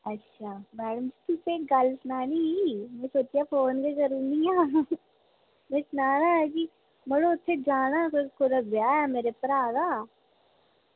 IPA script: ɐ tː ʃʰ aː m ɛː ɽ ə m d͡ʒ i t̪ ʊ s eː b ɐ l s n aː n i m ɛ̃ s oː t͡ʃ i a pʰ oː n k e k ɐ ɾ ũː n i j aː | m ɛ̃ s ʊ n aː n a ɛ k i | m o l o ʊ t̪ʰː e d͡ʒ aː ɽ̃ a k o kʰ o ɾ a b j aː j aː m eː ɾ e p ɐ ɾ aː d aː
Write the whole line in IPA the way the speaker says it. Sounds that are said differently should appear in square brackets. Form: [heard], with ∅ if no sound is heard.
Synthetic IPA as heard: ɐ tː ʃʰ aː m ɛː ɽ ə m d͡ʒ i t̪ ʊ s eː [ɡ] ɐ l s n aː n i m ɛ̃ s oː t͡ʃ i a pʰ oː n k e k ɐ ɾ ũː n i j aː | m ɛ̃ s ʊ n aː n a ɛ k i | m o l o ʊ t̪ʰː e d͡ʒ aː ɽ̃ a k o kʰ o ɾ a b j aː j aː m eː ɾ e p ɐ ɾ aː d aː